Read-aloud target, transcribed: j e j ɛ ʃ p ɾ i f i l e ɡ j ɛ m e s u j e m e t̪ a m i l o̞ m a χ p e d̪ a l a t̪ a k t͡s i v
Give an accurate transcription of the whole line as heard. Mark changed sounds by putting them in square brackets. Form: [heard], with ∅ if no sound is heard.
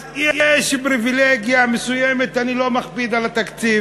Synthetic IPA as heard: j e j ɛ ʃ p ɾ i [v] i l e ɡ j [a] m e s u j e m e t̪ a [n] i l o̞ m a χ p [i] d̪ a l a t̪ a k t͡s i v

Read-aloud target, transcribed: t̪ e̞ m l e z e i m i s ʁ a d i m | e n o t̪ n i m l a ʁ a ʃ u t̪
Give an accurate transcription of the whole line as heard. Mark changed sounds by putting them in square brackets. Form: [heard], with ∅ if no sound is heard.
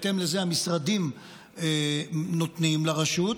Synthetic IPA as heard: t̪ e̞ m l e z e [a] m i s ʁ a d i m | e n o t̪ n i m l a ʁ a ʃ u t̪

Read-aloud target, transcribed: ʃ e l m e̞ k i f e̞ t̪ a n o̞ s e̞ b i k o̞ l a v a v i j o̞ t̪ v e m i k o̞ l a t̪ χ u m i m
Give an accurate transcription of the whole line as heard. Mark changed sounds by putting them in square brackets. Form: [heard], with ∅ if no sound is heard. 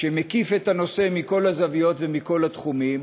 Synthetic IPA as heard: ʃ e [∅] m e̞ k i f e̞ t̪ a n o̞ s e̞ [m] i k o̞ l a [z] a v i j o̞ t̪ v e m i k o̞ l a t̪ χ u m i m

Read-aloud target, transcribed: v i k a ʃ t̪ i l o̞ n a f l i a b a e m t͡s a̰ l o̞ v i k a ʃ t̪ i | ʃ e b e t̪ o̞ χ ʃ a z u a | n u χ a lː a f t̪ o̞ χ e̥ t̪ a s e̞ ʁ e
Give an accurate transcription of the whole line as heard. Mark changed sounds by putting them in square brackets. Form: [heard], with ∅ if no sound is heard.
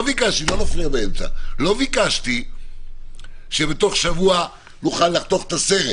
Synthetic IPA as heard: v i k a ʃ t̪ i l o̞ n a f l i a b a e m t͡s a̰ l o̞ v i k a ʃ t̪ i | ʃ e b e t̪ o̞ χ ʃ a [v] u a | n u χ a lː a [χ] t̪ o̞ χ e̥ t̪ a s e̞ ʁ e

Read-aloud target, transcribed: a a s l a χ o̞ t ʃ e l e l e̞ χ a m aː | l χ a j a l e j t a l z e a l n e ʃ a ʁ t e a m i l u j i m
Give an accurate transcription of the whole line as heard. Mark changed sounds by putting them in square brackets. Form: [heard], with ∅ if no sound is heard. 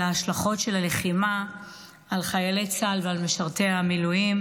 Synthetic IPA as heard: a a [ʃ] l a χ o̞ t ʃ e l [a] l e̞ χ [i] m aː | l χ a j a l e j [t͡s] a l [v] e a l [m] e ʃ a ʁ t e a m i l u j i m

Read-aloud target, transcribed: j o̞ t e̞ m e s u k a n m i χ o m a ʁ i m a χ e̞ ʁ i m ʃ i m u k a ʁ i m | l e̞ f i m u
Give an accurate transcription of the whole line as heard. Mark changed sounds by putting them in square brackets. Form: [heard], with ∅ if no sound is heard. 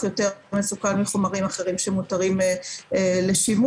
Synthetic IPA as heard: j o̞ t e̞ m e s u k a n m i χ o m a ʁ i m a χ e̞ ʁ i m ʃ [e] m u [t] a ʁ i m | l e̞ [ʃ] i m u

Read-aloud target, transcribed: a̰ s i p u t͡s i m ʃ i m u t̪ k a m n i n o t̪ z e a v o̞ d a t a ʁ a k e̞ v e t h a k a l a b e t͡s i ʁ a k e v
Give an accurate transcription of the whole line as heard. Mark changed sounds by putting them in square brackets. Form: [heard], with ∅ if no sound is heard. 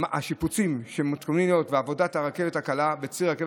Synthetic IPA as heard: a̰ [ʃ] i p u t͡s i m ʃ [e] m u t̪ k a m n i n o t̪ [v] e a v o̞ d a t a ʁ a k e̞ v e t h a k a l a b e t͡s i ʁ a k e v

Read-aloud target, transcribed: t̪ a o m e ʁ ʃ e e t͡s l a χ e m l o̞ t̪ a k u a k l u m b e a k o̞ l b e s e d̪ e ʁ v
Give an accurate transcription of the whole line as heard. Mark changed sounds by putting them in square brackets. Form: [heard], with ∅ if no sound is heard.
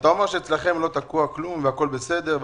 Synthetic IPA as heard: t̪ a o m e ʁ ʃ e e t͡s l a χ e m l o̞ t̪ a k u a k l u m [v] e a k o̞ l b e s e d̪ e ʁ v

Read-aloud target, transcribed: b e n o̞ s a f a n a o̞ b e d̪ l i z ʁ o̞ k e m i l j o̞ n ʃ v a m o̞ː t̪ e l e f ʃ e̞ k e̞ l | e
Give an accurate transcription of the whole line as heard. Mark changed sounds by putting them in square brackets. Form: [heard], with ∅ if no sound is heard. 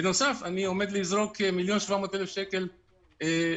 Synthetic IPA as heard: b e n o̞ s a f a n [i] o̞ [m] e d̪ l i z ʁ o̞ k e m i l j o̞ n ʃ v a m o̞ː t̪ e l e f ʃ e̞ k e̞ l | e

